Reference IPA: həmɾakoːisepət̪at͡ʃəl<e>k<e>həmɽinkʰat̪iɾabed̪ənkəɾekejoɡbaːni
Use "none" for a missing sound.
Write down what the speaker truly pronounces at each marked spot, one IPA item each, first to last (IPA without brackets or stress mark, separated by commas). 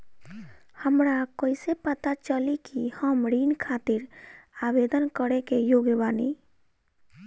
i, i